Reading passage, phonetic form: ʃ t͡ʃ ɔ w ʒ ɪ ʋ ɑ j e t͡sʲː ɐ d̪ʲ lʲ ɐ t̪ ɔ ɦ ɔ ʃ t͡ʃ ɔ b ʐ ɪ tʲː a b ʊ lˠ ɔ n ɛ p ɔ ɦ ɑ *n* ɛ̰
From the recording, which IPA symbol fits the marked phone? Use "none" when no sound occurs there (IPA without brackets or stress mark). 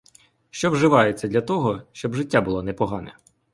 n